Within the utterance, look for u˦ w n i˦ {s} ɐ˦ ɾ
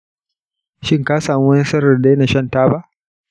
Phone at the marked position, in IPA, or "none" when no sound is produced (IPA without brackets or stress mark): s